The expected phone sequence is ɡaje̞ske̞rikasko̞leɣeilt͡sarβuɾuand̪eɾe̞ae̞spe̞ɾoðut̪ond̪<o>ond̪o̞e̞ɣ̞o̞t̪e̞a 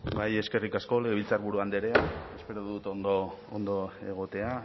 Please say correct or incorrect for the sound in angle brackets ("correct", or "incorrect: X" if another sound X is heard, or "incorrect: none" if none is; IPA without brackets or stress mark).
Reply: correct